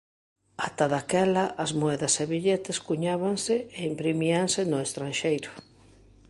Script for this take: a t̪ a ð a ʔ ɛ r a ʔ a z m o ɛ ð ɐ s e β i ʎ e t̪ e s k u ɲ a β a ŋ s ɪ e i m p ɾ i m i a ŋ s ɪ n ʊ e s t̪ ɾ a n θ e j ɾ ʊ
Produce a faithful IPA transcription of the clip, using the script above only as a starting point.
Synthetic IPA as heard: a t̪ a ð a k ɛ l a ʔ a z m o ɛ ð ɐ s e β i ʎ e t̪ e s k u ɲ a β a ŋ s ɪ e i m p ɾ i m i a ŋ s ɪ n ʊ e s t̪ ɾ a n ʃ e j ɾ ʊ